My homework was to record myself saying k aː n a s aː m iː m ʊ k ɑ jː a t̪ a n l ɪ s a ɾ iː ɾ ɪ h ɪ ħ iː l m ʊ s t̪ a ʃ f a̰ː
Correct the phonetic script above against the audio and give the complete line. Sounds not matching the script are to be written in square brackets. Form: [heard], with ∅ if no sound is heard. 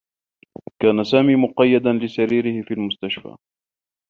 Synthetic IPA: k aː n a s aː m iː m ʊ [q] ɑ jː a [d̪] a n l ɪ s a ɾ iː ɾ ɪ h ɪ [f] iː l m ʊ s t̪ a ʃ f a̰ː

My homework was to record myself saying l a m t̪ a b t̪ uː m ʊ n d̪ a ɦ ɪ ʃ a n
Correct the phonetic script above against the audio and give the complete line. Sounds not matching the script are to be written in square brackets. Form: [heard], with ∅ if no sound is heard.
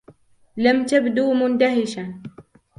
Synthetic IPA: l a m t̪ a b [d̪] uː m ʊ n d̪ a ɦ ɪ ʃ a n

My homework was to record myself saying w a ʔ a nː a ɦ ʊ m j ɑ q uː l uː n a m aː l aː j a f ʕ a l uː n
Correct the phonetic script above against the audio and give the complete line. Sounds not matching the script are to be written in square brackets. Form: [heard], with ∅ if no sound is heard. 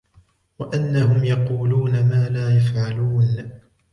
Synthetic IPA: w a ʔ a nː a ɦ ʊ m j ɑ q uː l uː n a m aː l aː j a f ʕ a l uː n

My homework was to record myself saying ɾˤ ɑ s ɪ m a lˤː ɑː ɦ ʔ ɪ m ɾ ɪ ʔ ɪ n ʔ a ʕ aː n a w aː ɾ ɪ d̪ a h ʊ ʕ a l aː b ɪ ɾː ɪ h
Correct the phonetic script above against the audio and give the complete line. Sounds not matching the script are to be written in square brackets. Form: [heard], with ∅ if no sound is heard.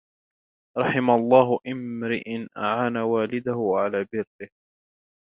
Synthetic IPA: ɾˤ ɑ [ħ] ɪ m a lˤː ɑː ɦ ʔ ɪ m ɾ ɪ ʔ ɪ n ʔ a ʕ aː n a w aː [l] ɪ d̪ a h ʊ ʕ a l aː b ɪ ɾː ɪ h

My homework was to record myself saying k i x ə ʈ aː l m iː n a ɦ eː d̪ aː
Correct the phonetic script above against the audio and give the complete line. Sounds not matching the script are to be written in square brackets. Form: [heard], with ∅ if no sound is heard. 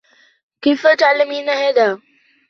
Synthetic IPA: k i [f] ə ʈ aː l m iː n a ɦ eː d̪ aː

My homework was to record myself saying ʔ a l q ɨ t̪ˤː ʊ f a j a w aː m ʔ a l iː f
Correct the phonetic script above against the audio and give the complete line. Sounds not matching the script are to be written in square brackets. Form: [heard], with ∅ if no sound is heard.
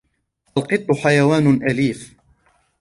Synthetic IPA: ʔ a l q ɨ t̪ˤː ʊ [ħ] a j a w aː [n] ʔ a l iː f

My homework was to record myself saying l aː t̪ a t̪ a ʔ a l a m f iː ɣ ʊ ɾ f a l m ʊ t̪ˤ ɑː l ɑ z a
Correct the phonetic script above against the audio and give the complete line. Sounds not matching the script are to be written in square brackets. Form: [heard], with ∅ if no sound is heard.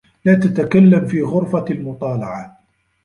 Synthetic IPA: l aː t̪ a t̪ a [k] a [lː] a m f iː ɣ ʊ ɾ f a l m ʊ t̪ˤ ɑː l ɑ [ʕ] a

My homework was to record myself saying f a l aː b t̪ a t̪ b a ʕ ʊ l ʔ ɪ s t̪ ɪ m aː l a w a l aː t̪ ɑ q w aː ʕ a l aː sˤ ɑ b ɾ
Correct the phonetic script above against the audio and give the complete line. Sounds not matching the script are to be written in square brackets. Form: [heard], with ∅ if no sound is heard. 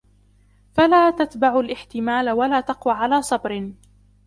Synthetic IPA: f a l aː [∅] t̪ a t̪ b a ʕ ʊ l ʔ ɪ [ħ] t̪ ɪ m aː l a w a l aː t̪ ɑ q w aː ʕ a l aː sˤ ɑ b ɾ

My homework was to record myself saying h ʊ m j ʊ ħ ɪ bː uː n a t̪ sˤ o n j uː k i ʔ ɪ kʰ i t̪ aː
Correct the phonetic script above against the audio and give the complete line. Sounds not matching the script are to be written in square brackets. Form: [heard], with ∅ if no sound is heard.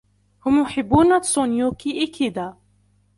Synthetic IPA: h ʊ m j ʊ ħ ɪ bː uː n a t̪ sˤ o n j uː k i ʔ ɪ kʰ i [d̪] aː

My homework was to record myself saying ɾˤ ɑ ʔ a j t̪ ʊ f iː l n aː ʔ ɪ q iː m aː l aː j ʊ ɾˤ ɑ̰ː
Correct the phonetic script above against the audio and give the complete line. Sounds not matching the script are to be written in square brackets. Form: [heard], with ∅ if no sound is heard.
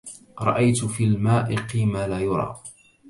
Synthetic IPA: ɾˤ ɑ ʔ a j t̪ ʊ f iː l [m] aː ʔ ɪ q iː m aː l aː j ʊ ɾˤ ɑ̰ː

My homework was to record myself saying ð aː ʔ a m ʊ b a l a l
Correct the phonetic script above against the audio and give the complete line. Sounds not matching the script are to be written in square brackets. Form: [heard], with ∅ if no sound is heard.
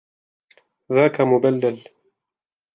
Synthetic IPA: ð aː [k] a m ʊ b a [lː] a l

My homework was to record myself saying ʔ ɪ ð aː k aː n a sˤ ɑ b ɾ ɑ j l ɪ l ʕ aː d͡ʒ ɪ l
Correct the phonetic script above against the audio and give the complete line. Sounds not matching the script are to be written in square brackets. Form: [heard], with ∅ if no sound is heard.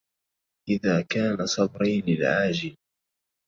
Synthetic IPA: ʔ ɪ ð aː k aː n a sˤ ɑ b ɾ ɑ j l ɪ l ʕ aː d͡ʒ ɪ l

